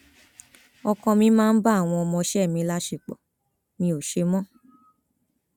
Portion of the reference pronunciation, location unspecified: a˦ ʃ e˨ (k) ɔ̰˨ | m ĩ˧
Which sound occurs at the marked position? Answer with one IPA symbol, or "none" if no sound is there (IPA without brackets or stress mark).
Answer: k͡p